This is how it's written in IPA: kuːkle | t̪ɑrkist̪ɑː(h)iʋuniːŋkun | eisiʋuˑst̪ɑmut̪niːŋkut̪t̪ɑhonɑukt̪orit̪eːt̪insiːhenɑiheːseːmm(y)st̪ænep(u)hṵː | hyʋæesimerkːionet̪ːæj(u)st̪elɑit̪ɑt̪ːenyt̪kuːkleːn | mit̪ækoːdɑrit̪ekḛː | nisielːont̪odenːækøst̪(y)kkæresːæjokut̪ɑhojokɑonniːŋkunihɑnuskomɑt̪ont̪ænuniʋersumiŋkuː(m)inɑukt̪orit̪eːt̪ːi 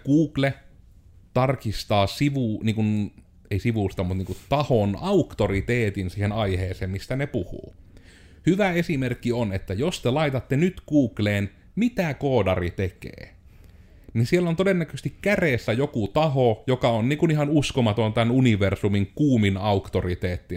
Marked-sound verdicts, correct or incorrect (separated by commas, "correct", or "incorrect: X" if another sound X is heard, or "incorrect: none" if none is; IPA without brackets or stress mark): incorrect: s, incorrect: i, correct, incorrect: o, incorrect: i, correct